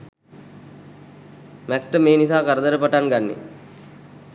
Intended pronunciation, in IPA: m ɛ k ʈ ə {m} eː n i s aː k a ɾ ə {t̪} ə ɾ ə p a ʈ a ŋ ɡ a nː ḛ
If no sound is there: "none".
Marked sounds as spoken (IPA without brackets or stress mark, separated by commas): m, d̪